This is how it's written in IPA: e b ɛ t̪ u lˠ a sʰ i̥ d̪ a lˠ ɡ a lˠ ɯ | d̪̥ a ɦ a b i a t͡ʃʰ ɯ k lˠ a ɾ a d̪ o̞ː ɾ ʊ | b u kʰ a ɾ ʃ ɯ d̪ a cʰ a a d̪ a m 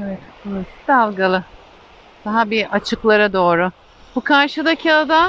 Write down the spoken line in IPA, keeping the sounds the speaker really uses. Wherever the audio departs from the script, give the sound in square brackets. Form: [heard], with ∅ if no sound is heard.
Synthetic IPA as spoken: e [v] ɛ t̪ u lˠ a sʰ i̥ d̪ a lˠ ɡ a lˠ ɯ | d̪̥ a ɦ a b i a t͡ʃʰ ɯ k lˠ a ɾ a d̪ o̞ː ɾ ʊ | b u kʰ a ɾ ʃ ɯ d̪ a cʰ [i] a d̪ a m